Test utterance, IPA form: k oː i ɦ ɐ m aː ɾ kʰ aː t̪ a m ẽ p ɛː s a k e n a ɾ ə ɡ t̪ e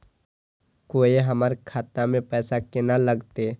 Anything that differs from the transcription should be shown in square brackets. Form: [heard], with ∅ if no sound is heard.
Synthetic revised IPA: k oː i ɦ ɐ m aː ɾ kʰ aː t̪ a m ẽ p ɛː s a k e n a [l] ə ɡ t̪ e

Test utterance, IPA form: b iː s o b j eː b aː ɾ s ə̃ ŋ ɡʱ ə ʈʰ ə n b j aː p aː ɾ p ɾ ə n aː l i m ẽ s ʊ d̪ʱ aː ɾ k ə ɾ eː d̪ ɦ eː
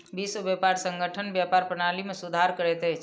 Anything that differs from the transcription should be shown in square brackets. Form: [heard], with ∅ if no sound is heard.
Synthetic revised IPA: b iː s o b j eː [p] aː ɾ s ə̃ ŋ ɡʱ ə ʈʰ ə n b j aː p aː ɾ p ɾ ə n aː l i m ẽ s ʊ d̪ʱ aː ɾ k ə ɾ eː [t̪] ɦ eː

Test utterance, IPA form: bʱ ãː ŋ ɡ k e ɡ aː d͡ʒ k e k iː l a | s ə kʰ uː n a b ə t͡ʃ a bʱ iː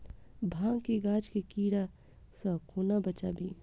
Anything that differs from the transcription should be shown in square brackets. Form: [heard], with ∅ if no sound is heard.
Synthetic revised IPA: bʱ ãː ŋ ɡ k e ɡ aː d͡ʒ k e k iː [ɽ] a | s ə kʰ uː n a b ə t͡ʃ a bʱ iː

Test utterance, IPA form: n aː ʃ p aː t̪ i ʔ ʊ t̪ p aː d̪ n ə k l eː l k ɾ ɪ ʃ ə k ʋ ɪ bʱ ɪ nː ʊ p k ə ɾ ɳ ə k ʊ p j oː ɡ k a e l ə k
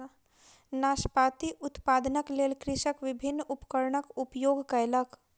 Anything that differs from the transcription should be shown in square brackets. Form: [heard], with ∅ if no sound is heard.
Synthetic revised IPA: n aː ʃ p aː t̪ i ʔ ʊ t̪ p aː d̪ n ə k l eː l k ɾ ɪ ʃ ə k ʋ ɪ bʱ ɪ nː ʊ p k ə ɾ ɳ ə k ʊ p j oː ɡ k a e l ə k

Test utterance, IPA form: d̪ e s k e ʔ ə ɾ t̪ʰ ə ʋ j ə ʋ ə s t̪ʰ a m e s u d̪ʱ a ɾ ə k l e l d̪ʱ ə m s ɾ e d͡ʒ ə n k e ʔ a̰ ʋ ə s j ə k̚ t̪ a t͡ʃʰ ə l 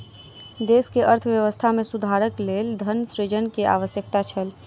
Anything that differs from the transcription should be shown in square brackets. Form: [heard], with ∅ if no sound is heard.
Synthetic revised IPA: d̪ e s k e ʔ ə ɾ t̪ʰ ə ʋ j ə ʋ ə s t̪ʰ a m e s u d̪ʱ a ɾ ə k l e l d̪ʱ ə [n] s ɾ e d͡ʒ ə n k e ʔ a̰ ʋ ə s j ə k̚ t̪ a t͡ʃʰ ə l

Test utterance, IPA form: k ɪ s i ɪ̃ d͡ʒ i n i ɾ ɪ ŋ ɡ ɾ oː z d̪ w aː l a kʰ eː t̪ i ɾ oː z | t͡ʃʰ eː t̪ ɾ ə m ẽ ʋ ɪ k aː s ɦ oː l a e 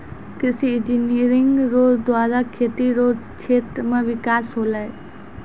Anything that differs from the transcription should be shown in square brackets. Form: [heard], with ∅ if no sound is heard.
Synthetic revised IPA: k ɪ s i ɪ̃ d͡ʒ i n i ɾ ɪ ŋ ɡ ɾ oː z d̪ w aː [ɾ] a kʰ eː t̪ i ɾ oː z | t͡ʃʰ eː t̪ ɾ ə m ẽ ʋ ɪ k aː s ɦ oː l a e

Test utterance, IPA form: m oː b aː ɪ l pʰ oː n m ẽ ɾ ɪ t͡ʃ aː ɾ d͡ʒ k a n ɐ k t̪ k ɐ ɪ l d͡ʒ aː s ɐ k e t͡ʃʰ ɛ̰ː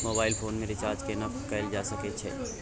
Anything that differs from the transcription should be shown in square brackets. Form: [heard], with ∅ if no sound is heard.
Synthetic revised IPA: m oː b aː ɪ l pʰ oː n m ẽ ɾ ɪ t͡ʃ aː ɾ d͡ʒ k [e] n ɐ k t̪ k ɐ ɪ l d͡ʒ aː s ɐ k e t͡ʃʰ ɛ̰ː

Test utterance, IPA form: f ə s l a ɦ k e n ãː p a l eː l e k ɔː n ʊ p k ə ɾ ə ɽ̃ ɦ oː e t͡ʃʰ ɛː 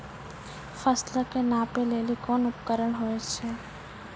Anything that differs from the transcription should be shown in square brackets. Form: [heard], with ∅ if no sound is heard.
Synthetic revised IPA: f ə s l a [∅] k e n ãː p [e] l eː l [i] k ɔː n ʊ p k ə ɾ ə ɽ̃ ɦ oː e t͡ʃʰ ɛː

